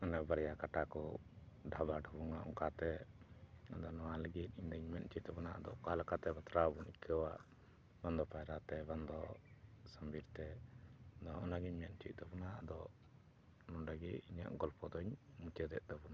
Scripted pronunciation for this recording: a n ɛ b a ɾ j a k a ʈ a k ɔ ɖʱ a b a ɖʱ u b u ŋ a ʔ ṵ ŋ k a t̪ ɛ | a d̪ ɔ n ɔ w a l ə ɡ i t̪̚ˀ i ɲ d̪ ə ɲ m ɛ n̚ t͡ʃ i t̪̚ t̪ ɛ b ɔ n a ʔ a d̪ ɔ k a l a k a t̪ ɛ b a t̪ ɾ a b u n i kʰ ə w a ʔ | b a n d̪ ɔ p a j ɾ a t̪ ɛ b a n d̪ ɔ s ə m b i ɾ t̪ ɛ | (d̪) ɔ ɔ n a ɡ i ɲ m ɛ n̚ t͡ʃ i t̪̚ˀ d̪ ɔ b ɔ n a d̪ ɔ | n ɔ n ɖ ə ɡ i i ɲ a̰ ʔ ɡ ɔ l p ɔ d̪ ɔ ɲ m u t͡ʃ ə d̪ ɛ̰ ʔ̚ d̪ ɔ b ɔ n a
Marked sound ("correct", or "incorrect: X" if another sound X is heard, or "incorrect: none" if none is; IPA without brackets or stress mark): correct